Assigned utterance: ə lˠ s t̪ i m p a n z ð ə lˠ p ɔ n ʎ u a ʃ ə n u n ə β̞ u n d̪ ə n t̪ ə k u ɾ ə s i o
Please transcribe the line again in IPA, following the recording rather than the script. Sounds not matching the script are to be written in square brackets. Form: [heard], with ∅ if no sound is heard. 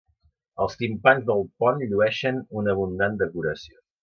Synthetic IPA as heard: ə lˠ s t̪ i m p a n z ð ə lˠ p ɔ n ʎ u [ɛ] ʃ ə n u n ə β̞ u n d̪ [a] n [d̪] ə k u ɾ ə s i o